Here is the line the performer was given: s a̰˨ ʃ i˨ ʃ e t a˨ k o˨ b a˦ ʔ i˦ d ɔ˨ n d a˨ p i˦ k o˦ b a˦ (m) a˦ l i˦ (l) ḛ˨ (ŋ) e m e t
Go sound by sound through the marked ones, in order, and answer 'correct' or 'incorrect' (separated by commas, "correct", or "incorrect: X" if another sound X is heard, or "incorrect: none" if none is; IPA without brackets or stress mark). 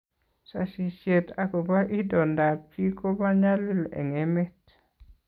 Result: incorrect: ɲ, correct, correct